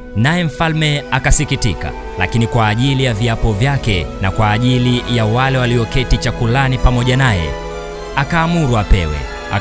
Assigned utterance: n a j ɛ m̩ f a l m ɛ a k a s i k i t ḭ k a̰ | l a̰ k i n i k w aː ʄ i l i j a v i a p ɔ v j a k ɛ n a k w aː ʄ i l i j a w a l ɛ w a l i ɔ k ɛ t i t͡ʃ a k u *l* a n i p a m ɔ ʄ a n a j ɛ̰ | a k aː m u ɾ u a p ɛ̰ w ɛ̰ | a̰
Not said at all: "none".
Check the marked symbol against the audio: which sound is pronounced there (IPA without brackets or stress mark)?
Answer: l